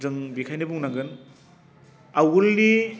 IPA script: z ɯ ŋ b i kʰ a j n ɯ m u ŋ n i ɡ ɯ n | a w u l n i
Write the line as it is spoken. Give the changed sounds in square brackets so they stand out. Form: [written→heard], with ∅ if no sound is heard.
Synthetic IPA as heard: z ɯ ŋ b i kʰ a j n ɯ [m→b] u ŋ n [i→a] ɡ ɯ n | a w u l n i